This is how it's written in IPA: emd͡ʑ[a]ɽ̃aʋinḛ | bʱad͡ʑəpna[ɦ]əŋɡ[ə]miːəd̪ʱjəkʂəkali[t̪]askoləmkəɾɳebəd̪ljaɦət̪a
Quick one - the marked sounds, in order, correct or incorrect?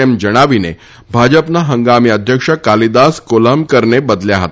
incorrect: ə, correct, incorrect: a, incorrect: d̪

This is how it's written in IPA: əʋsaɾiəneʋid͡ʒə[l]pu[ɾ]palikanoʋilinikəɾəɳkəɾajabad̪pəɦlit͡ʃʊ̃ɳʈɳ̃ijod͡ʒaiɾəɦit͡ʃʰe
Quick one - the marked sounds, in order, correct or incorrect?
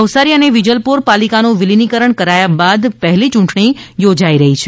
correct, correct

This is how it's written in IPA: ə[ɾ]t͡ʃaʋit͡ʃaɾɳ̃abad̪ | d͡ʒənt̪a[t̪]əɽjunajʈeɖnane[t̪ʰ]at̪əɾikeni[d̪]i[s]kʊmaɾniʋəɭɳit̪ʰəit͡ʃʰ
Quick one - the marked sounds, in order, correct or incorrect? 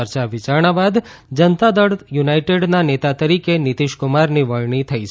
correct, incorrect: d̪, incorrect: t̪, incorrect: t̪, incorrect: ʃ

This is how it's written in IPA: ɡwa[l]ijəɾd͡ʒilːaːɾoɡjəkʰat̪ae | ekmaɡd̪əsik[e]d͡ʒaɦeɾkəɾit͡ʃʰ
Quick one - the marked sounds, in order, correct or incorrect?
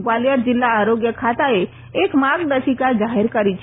correct, incorrect: a

